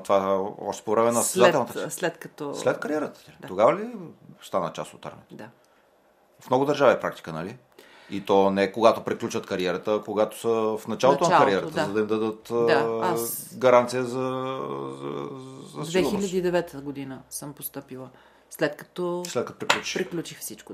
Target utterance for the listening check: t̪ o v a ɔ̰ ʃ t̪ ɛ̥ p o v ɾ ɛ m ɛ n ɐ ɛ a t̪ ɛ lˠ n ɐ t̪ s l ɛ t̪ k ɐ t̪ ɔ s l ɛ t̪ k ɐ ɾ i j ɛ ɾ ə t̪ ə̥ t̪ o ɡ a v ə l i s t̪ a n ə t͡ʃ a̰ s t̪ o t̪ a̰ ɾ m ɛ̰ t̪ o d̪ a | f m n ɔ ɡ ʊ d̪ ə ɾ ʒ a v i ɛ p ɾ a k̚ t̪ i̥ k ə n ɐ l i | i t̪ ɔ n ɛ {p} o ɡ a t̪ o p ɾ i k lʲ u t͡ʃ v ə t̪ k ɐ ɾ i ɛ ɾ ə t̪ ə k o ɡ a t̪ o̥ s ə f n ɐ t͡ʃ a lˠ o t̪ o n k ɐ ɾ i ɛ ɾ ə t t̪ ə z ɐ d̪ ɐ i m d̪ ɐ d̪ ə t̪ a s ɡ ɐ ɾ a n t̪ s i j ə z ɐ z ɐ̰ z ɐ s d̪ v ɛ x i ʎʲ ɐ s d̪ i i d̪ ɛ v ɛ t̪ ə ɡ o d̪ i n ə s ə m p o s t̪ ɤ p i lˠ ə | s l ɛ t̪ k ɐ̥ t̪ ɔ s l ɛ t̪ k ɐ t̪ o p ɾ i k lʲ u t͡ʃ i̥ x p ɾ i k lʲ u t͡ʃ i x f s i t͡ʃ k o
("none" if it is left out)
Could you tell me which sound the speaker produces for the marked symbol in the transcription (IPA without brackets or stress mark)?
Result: k